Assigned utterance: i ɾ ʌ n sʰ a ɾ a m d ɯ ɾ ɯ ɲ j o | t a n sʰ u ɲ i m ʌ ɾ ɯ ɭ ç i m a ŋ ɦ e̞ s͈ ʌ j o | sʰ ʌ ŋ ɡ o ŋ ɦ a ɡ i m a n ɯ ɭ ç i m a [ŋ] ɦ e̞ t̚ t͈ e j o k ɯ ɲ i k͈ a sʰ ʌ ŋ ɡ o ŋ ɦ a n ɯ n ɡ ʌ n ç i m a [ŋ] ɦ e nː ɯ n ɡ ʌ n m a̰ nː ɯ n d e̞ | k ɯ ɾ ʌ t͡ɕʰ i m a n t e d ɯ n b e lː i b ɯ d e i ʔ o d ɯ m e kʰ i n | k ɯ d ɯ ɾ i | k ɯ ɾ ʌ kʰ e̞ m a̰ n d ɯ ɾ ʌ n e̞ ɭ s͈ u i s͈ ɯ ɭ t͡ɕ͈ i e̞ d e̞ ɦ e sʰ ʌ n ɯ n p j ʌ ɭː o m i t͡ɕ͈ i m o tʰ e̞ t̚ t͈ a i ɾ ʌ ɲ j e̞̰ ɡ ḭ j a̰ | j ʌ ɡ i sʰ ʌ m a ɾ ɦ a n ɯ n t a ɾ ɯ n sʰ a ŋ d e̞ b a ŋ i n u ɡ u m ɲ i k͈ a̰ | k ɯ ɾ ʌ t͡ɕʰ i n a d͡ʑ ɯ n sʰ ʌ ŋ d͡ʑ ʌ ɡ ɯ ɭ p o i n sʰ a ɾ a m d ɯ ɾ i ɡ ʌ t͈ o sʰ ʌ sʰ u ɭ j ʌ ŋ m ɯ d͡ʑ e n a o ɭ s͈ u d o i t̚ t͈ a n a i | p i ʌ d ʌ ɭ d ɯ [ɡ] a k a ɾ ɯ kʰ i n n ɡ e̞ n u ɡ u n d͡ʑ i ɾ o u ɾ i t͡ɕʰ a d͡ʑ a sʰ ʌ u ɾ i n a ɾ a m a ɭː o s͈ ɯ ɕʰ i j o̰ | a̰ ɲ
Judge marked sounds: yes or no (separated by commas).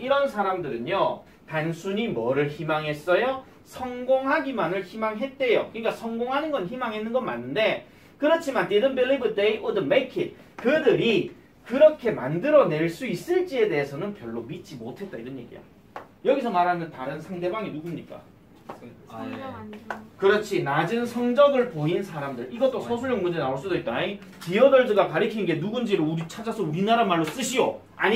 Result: yes, yes, yes